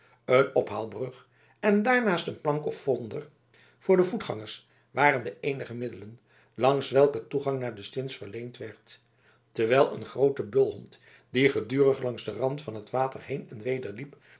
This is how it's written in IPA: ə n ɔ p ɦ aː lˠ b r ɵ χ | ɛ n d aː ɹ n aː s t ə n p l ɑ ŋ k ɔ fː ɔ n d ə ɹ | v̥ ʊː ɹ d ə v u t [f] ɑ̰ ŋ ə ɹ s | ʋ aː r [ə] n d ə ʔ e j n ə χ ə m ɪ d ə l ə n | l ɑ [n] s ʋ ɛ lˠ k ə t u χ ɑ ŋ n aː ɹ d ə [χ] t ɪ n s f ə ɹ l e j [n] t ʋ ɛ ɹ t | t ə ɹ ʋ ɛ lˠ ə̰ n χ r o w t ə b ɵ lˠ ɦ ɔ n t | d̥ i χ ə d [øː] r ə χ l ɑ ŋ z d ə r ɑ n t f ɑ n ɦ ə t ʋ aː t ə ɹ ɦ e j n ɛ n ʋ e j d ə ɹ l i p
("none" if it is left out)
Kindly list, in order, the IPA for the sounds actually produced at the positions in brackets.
χ, ə, ŋ, s, n, yː

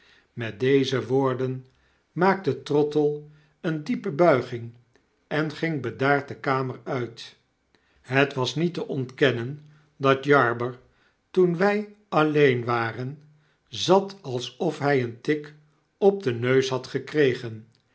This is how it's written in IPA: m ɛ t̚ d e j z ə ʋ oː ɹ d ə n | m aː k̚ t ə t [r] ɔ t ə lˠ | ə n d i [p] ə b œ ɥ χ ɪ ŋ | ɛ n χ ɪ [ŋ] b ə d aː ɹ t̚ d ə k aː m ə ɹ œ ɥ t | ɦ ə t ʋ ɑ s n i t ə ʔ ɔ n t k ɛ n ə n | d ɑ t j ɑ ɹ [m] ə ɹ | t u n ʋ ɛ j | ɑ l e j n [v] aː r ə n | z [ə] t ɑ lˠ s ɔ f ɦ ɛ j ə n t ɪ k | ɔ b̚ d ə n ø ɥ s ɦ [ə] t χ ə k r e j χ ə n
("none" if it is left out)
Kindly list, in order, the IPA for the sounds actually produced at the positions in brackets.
r, p, ŋ, b, ʋ, ɑ, ɑ

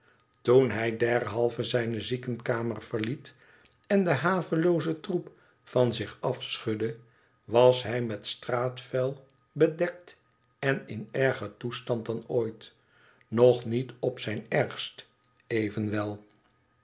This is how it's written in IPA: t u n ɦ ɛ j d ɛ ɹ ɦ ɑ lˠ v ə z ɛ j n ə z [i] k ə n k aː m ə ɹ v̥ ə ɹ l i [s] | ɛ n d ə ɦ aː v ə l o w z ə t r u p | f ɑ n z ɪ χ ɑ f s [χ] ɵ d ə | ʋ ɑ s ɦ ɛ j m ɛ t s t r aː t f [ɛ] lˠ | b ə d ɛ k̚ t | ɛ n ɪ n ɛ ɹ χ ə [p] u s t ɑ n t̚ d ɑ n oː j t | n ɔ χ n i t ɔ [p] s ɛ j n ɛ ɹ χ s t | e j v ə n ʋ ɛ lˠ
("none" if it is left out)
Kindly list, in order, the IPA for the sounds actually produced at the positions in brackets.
i, t, χ, ɛ, t, p

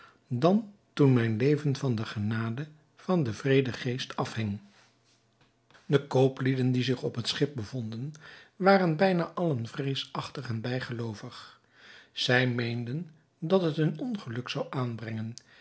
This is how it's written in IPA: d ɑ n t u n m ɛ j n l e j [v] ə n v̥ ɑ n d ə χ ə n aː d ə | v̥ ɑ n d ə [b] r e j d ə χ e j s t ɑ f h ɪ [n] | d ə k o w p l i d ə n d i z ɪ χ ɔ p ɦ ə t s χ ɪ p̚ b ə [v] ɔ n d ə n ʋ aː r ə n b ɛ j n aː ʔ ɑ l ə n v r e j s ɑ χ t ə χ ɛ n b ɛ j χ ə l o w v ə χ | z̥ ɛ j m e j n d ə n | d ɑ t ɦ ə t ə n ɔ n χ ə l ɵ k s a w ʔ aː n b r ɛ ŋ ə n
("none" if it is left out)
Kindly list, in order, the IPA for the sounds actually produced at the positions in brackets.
v, v, ŋ, v

